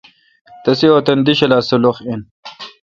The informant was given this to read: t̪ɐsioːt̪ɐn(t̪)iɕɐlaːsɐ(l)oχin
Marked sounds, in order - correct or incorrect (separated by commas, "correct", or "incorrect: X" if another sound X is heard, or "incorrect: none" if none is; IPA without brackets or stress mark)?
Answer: incorrect: d̪, correct